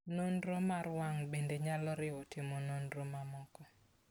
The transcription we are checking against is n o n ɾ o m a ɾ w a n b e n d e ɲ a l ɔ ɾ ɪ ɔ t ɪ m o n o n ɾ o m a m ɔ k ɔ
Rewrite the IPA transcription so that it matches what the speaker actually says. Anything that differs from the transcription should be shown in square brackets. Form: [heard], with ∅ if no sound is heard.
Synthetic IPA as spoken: n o n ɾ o m a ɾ w a [ŋ] b e n d e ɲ a l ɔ ɾ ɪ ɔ t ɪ m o n o n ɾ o m a m ɔ k ɔ

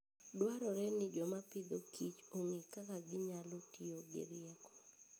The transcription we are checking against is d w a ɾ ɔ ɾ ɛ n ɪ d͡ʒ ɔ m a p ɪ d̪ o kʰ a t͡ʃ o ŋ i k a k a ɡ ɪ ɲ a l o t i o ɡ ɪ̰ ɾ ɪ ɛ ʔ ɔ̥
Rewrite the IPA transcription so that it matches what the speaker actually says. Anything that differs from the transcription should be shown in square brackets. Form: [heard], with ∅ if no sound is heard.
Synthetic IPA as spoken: d w a ɾ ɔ ɾ ɛ n ɪ d͡ʒ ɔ m a p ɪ d̪ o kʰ [i] t͡ʃ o ŋ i k a k a ɡ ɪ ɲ a l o t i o ɡ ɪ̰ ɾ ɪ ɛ [k] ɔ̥

